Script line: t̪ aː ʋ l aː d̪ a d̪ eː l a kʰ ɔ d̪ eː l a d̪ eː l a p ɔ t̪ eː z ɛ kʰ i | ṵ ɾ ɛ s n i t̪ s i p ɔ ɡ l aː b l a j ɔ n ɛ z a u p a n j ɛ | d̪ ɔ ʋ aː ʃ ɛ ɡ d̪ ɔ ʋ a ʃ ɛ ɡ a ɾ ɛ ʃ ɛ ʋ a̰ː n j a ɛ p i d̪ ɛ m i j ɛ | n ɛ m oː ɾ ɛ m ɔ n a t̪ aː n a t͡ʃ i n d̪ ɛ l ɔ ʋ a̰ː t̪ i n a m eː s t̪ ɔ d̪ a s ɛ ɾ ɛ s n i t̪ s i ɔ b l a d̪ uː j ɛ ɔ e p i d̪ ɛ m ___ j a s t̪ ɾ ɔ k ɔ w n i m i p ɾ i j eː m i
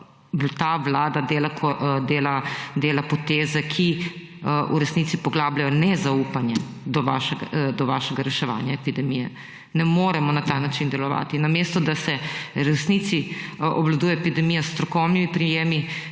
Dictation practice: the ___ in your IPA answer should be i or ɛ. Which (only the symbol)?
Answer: i